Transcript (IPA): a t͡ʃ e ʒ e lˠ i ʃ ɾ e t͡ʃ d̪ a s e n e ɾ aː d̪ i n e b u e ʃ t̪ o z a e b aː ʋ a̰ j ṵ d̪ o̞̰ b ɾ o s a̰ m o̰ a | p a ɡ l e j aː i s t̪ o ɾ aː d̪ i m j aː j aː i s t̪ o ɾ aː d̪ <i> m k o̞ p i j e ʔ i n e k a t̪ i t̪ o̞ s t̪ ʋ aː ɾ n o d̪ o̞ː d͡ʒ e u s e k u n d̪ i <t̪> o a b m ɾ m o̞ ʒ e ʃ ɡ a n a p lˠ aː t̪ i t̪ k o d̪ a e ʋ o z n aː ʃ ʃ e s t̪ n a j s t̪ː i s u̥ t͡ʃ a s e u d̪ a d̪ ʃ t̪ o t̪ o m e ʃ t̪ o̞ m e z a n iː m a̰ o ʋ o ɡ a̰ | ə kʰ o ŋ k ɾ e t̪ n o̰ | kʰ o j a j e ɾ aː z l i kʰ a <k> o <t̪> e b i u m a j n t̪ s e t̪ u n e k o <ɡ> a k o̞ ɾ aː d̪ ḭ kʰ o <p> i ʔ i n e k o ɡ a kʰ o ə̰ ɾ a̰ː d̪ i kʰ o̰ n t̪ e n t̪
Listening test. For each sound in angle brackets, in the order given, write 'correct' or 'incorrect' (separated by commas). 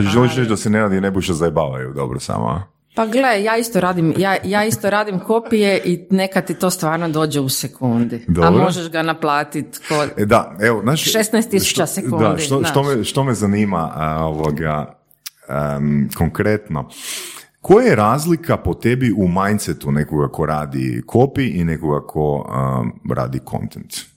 correct, incorrect, incorrect, correct, correct, correct